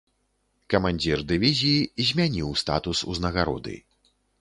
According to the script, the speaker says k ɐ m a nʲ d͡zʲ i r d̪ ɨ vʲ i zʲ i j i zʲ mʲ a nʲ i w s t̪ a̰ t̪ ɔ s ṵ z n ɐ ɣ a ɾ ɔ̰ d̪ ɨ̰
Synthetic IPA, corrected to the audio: k ɐ m a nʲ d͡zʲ i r d̪ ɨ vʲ i zʲ i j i zʲ mʲ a nʲ i w s t̪ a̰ t̪ u s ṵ z n ɐ ɣ a ɾ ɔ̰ d̪ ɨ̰